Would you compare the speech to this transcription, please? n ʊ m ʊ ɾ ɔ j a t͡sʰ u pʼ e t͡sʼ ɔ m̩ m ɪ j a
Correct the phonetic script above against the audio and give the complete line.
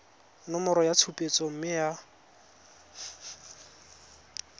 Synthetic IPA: n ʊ m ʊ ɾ ɔ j a t͡sʰ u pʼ e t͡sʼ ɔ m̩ m ɪ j a